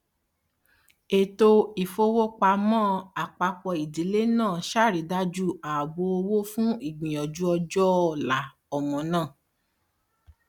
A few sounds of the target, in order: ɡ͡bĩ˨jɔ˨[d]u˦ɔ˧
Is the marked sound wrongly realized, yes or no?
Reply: yes